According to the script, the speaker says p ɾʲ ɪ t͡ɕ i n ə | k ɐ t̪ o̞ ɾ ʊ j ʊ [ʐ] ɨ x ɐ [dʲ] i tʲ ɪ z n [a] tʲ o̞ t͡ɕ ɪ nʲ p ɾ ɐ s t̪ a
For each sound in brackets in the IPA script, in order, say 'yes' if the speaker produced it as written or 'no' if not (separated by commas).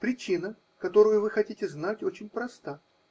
no, no, yes